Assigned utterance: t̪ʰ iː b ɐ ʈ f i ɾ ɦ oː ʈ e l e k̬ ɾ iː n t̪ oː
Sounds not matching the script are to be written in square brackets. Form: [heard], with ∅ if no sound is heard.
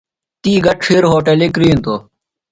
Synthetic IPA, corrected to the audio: [t̪] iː [ɡ] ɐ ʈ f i ɾ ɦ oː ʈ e l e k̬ ɾ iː n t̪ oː